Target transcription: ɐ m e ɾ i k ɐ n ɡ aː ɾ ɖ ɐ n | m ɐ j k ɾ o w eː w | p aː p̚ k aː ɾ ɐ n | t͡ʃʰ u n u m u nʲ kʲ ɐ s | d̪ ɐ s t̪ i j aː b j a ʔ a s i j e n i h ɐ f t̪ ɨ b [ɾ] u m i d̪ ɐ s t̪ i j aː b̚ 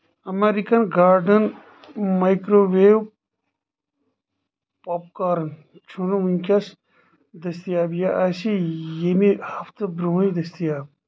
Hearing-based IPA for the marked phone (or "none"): ɾ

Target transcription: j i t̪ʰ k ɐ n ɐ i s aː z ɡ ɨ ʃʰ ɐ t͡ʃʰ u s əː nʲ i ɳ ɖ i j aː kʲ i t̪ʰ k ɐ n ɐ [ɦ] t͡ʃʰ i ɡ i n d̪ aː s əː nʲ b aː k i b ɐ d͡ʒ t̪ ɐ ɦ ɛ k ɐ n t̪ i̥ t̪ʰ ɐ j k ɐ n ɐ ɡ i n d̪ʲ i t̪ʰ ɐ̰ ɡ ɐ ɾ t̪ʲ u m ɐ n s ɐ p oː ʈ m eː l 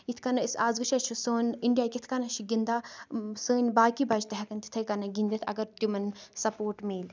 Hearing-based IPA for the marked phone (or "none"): none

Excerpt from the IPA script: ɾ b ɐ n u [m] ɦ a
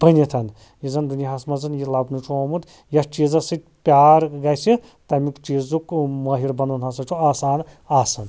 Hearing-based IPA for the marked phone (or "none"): n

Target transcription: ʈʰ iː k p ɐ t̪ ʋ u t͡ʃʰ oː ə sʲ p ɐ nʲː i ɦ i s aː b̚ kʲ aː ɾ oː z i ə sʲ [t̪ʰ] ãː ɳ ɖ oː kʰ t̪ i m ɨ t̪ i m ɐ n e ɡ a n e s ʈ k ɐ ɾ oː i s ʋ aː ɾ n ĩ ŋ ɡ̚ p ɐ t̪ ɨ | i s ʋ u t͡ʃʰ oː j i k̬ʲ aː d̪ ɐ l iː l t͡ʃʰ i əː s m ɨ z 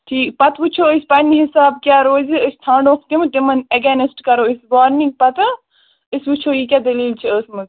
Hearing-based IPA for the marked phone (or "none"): t̪ʰ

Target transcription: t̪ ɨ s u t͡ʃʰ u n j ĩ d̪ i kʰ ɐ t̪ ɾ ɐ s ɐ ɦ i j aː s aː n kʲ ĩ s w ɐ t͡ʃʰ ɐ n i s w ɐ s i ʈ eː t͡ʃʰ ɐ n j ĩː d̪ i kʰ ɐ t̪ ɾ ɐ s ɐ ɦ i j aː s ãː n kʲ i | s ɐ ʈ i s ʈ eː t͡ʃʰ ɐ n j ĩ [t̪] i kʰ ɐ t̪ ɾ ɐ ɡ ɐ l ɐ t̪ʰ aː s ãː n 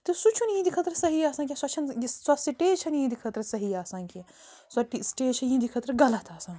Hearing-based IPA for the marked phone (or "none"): d̪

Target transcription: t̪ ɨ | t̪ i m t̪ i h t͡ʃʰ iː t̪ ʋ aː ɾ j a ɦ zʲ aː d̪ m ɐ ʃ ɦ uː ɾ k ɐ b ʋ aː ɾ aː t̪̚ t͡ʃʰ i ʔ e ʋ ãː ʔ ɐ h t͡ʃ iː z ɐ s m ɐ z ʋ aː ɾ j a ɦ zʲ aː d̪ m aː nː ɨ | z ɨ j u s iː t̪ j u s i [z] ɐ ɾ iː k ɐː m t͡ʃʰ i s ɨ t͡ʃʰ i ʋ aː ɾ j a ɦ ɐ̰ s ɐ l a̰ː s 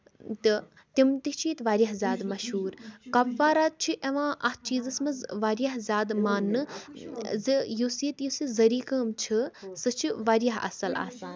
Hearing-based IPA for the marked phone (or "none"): z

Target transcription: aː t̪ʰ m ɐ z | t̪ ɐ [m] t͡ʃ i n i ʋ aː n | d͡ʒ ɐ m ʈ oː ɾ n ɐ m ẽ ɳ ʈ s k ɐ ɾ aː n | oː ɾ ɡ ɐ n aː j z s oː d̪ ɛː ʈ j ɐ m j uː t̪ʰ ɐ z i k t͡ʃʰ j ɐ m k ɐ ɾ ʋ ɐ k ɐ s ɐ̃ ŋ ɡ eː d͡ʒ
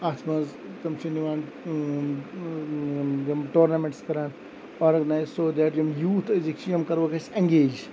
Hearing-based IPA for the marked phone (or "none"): m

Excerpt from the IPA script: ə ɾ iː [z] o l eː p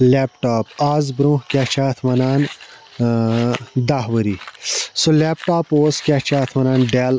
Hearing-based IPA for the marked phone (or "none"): s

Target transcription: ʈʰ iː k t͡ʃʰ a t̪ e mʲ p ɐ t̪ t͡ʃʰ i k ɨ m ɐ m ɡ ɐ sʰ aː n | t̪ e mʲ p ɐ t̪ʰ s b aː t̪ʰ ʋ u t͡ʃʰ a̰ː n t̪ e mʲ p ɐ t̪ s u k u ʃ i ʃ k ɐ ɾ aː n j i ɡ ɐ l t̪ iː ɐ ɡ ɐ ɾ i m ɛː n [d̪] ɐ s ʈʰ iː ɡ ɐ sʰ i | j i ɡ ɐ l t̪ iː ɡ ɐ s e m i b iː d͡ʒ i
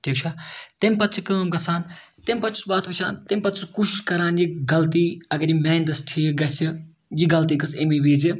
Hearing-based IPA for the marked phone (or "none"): d̪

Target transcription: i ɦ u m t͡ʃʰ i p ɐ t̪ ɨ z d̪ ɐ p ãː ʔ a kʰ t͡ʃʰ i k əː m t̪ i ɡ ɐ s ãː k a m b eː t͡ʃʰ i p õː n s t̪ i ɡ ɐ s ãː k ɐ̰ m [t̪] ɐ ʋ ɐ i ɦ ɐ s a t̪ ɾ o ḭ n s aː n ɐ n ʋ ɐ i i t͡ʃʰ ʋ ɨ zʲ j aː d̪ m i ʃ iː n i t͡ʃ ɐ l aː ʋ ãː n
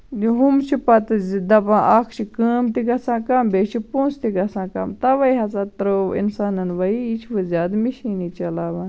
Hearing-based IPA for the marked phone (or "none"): t̪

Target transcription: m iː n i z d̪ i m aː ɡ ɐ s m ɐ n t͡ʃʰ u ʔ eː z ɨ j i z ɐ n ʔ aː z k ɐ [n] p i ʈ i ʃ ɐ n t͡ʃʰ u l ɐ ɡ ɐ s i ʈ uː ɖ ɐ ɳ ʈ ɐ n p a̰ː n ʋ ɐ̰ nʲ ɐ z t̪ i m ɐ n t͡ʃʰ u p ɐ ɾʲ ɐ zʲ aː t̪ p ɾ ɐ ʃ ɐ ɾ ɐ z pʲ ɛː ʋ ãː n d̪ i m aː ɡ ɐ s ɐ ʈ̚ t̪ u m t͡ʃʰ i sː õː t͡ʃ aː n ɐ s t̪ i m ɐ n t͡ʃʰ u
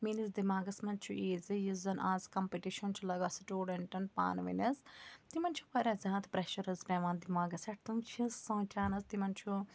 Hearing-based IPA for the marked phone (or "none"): m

